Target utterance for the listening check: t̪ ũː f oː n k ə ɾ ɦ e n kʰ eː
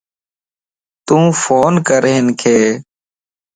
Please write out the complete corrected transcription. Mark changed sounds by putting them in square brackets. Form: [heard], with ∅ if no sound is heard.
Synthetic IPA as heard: t̪ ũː f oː n k ə ɾ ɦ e n kʰ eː